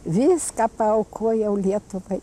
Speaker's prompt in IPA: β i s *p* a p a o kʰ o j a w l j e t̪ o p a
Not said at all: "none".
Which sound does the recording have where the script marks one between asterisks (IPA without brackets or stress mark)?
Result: k